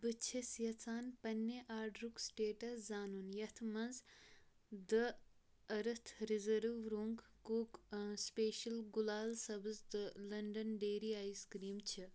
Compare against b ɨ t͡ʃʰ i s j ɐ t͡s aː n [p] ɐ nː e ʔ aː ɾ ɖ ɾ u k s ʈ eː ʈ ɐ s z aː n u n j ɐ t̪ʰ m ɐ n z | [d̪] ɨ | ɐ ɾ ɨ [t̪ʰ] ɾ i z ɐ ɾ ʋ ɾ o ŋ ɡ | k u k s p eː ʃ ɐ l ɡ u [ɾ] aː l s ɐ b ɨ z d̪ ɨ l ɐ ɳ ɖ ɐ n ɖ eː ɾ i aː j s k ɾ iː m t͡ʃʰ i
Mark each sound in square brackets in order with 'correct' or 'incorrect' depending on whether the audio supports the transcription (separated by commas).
correct, correct, correct, incorrect